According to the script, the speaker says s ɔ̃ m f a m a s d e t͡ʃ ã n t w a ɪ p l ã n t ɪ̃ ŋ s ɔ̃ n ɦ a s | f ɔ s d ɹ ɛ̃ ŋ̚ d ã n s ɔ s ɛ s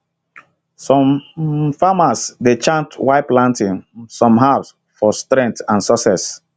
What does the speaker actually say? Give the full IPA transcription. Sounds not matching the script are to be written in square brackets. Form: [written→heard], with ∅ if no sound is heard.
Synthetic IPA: s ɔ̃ m f a m a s d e t͡ʃ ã n t w a ɪ p l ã n t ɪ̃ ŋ s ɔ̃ [n→m] ɦ a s | f ɔ s [d→t] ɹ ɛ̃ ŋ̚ [d→t] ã n s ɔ s ɛ s

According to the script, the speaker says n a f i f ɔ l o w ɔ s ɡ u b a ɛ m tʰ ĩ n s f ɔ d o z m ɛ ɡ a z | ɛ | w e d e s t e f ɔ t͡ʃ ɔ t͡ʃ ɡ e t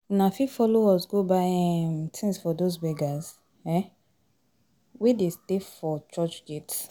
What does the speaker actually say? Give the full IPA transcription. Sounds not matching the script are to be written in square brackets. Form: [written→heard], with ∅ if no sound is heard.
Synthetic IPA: n a f i f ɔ l o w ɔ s ɡ [u→o] b a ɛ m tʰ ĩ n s f ɔ d o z [m→b] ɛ ɡ a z | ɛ | w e d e s t e f ɔ t͡ʃ ɔ t͡ʃ ɡ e t

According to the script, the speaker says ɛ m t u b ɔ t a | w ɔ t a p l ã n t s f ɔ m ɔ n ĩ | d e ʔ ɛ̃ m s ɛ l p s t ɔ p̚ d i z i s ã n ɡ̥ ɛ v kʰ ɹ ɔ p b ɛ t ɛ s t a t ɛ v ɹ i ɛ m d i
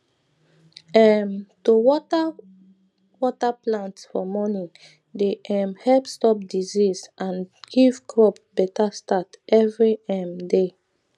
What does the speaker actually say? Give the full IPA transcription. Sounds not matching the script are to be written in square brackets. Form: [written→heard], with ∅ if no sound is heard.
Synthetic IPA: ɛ m t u [b→w] ɔ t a | w ɔ t a p l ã n t s f ɔ m ɔ n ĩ | d e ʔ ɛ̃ m [s→h] ɛ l p s t ɔ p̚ d i z i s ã n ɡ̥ [ɛ→i] v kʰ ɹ ɔ p b ɛ t [ɛ→a] s t a t ɛ v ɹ i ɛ m d [i→e]

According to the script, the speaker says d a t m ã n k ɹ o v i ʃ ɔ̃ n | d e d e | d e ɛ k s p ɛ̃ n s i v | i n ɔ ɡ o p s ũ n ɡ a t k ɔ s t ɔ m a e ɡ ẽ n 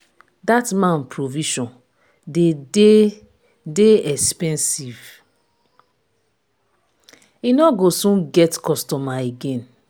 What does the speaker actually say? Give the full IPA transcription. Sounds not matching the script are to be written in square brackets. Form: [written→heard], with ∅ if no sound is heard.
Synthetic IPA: d a t m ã n [k→p] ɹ o v i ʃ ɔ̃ n | d e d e | d e ɛ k s p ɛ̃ n s i v | i n ɔ ɡ o [p→∅] s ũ n ɡ [a→ɛ] t k ɔ s t ɔ m a e ɡ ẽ n

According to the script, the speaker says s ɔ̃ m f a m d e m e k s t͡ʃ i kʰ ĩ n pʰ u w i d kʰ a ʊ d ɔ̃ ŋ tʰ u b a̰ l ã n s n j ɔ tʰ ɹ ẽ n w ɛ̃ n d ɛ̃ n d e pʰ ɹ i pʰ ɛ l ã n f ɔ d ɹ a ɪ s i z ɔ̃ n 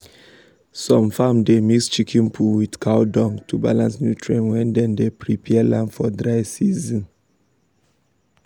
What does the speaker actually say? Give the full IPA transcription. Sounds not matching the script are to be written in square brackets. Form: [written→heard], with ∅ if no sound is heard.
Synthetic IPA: s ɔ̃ m f a m d e m [e→i] k s t͡ʃ i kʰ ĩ n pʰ u w i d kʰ a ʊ d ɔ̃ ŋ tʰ u b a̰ l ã n s n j [ɔ→u] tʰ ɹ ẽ n w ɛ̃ n d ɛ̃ n d e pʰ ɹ i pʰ ɛ l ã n f ɔ d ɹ a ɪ s i z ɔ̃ n

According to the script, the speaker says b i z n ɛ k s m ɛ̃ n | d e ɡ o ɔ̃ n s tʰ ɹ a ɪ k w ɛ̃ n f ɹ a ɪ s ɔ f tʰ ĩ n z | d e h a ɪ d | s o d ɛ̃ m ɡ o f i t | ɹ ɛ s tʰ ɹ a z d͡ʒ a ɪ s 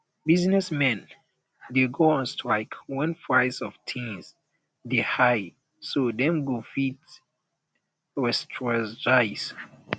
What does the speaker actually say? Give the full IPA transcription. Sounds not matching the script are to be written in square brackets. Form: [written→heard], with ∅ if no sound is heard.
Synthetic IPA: b i z n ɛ [k→∅] s m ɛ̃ n | d e ɡ o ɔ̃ n s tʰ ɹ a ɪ k w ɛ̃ n f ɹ a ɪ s ɔ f tʰ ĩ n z | d e h a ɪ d | s o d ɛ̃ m ɡ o f i t | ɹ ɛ s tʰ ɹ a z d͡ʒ a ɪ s

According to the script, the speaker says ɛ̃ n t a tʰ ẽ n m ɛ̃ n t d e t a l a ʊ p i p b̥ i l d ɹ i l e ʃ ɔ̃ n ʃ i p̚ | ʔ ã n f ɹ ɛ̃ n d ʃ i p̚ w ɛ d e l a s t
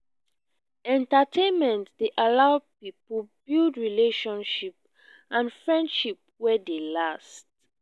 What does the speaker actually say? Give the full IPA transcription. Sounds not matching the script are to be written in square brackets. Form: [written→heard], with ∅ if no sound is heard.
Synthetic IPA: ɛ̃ n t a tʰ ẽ n m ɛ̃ n t d e [t→ʔ] a l a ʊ p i p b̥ i l d ɹ i l e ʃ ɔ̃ n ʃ i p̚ | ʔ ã n f ɹ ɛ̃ n d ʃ i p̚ w ɛ d e l a s t

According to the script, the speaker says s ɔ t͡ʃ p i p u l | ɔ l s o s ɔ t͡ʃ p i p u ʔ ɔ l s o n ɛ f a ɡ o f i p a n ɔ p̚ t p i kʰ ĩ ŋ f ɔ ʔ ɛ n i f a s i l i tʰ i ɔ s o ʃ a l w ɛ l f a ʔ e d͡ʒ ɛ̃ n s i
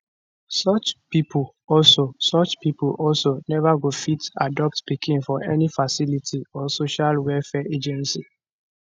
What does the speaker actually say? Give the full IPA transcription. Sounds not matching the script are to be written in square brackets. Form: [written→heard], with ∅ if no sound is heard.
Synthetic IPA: s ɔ t͡ʃ p i p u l | ɔ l s o s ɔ t͡ʃ p i p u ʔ ɔ l s o n ɛ [f→v] a ɡ o f i [p→t] a [n→d] ɔ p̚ t p i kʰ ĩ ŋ f ɔ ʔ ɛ n i f a s i l i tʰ i ɔ s o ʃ a l w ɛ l f [a→ɛ] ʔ e d͡ʒ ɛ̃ n s i

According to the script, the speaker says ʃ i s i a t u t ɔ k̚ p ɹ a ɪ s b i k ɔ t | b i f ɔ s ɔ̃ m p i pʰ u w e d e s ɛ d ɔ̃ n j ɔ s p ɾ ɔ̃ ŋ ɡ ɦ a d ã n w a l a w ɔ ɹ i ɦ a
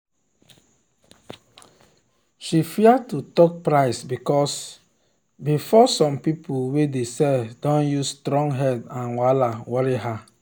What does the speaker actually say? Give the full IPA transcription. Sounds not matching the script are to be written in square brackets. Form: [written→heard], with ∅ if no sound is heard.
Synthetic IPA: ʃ i [s→f] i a t u t ɔ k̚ p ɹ a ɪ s b i k ɔ [t→s] | b i f ɔ s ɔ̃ m p i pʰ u w e d e s ɛ d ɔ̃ n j [ɔ→u] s [p→t] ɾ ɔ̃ ŋ ɡ ɦ [a→ɛ] d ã n w a l a w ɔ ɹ i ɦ a

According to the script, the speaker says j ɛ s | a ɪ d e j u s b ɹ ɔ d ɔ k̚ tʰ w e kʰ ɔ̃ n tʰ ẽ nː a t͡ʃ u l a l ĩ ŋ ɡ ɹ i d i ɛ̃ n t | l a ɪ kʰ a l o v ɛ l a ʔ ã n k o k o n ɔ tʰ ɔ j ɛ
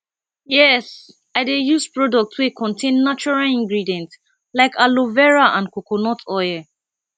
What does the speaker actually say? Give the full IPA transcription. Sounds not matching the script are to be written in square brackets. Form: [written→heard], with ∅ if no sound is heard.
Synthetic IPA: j ɛ s | a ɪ d e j u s [b→p] ɹ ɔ d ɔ k̚ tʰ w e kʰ ɔ̃ n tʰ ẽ nː a t͡ʃ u [l→ɹ] a l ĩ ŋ ɡ ɹ i d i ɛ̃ n t | l a ɪ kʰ a l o v ɛ [l→ɹ] a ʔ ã n k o k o n ɔ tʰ ɔ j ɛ

